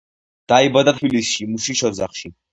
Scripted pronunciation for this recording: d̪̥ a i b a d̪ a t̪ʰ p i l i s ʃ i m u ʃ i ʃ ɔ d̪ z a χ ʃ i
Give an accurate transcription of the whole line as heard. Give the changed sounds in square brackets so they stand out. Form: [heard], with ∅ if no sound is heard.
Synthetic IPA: d̪̥ a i b a d̪ a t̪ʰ [b] i l i s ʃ i m u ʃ i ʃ ɔ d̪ z a χ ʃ i